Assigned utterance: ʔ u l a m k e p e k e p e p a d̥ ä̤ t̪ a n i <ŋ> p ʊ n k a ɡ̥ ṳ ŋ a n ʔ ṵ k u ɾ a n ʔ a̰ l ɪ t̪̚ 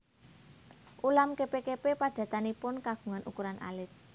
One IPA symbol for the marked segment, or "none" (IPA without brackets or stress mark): none